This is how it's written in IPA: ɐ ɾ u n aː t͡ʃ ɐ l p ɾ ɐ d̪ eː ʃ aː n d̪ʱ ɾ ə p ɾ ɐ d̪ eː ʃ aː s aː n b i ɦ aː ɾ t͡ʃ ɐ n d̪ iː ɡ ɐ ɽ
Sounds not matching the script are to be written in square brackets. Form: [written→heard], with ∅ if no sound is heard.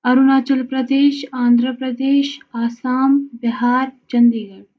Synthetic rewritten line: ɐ ɾ u n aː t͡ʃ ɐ l p ɾ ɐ d̪ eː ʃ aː n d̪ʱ ɾ ə p ɾ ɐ d̪ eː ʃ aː s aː [n→m] b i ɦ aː ɾ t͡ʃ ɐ n d̪ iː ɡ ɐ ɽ